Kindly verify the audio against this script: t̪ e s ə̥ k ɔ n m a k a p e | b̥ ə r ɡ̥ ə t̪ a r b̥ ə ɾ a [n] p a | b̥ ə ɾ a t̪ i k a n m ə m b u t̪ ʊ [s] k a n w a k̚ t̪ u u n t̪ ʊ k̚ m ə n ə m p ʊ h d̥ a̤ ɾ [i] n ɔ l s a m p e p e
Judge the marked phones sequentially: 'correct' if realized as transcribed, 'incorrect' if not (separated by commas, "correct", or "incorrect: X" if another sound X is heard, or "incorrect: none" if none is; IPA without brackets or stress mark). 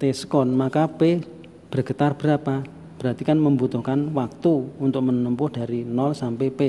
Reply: incorrect: none, incorrect: h, correct